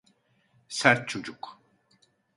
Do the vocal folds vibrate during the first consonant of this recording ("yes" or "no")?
no